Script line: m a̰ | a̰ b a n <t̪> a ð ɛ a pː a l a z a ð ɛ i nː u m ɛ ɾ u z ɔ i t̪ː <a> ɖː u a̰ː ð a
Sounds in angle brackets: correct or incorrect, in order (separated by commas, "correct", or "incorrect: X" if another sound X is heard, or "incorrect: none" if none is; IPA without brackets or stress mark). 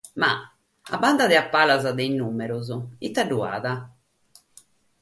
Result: incorrect: d̪, correct